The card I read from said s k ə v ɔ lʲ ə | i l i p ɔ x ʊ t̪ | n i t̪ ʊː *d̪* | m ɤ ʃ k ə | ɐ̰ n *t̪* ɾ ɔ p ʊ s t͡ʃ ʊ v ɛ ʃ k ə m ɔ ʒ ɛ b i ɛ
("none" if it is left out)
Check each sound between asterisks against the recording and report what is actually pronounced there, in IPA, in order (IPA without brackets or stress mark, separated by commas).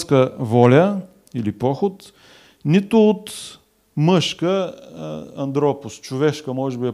t̪, d̪